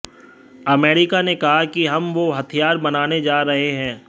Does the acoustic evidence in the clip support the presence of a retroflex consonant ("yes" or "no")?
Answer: no